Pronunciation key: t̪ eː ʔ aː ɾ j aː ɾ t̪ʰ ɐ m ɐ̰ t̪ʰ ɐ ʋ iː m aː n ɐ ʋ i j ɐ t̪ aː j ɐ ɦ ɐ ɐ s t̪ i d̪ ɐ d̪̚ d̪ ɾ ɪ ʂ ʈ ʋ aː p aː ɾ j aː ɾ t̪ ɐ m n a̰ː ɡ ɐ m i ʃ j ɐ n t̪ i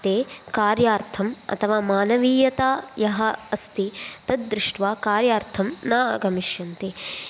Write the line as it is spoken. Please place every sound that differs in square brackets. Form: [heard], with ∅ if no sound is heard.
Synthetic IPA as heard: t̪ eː [k] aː ɾ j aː ɾ t̪ʰ ɐ m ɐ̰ t̪ʰ ɐ ʋ [aː] m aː n ɐ ʋ [iː] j ɐ t̪ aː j ɐ ɦ ɐ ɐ s t̪ i [t̪] ɐ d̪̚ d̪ ɾ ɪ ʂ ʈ ʋ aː [k] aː ɾ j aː ɾ [t̪ʰ] ɐ m n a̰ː ɡ ɐ m i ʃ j ɐ n t̪ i